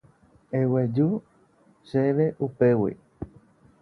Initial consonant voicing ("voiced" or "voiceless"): voiced